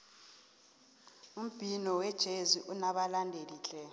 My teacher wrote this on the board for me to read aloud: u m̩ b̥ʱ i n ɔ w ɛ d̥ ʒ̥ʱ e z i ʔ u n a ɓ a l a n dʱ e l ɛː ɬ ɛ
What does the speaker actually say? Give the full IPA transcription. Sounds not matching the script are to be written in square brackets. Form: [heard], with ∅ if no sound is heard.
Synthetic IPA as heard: u m̩ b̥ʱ i n ɔ w ɛ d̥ ʒ̥ʱ e z i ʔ u n a ɓ a l a n dʱ e l [iː] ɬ ɛ